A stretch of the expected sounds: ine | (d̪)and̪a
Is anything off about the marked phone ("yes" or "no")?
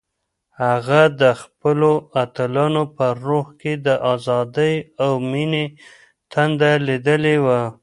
yes